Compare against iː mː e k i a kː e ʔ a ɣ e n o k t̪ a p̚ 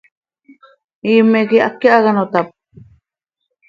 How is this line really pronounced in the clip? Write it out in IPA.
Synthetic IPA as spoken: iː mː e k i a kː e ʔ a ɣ a n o t̪ a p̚